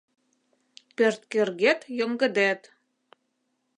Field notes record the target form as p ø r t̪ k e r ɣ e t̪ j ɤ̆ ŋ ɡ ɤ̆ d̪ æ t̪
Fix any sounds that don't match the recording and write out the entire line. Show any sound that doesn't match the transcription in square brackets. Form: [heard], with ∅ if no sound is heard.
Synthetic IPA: p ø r t̪ k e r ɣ e t̪ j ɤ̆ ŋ ɡ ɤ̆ d̪ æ t̪